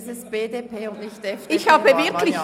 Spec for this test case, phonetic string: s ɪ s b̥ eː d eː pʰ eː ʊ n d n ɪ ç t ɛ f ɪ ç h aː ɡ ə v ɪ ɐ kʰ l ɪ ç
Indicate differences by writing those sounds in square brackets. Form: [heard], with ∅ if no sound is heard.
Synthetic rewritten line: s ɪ s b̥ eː d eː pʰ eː ʊ n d n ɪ ç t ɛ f ɪ ç h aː [b] ə v ɪ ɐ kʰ l ɪ ç